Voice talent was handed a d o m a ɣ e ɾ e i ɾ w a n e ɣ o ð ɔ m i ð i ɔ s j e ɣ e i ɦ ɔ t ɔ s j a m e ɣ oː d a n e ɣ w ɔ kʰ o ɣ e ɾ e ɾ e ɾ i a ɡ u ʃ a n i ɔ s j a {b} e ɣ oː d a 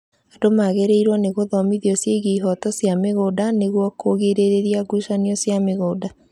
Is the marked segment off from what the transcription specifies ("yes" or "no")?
yes